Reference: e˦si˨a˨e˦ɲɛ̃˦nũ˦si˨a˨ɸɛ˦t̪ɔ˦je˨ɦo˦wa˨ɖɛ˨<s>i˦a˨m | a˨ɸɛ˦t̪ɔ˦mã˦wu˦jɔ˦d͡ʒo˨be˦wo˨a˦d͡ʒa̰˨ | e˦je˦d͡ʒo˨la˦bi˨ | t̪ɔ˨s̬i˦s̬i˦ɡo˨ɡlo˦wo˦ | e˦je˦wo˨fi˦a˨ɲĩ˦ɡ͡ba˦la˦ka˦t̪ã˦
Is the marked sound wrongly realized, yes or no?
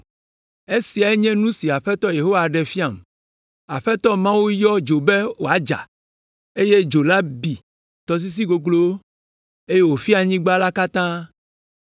yes